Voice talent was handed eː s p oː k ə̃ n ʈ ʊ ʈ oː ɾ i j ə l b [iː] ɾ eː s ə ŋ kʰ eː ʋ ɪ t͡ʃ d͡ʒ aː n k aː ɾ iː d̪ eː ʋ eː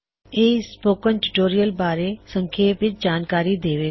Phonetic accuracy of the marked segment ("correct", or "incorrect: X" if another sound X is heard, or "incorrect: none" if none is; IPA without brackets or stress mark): incorrect: aː